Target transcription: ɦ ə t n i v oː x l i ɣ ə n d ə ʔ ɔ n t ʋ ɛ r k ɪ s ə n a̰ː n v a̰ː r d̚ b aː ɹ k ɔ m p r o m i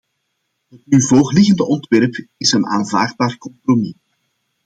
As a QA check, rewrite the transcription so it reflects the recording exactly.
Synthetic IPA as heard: ɦ ə t n y v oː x l ɪ ɣ ə n d ə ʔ ɔ n t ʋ ɛ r p ɪ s ə n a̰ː n v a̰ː r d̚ b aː r k ɔ m p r o m i